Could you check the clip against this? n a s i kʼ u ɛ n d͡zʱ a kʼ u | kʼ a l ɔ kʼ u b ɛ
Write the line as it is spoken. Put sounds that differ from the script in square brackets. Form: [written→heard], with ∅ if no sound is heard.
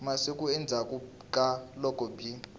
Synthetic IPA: [n→m] a s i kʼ u ɛ n d͡zʱ a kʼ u | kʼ a l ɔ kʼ [u→ɔ] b [ɛ→i]